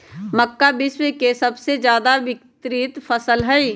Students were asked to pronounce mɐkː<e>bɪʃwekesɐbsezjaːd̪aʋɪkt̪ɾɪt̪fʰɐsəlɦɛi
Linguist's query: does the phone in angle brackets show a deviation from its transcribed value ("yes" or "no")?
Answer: yes